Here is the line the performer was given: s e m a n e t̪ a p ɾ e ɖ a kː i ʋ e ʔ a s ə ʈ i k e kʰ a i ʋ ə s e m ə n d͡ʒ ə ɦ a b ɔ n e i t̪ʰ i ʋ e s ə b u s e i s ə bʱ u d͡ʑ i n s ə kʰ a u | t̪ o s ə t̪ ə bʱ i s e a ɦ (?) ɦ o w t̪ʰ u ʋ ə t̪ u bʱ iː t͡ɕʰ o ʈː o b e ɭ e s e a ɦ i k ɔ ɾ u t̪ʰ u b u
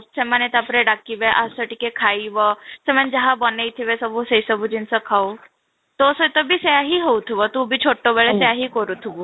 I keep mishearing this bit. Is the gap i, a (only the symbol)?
i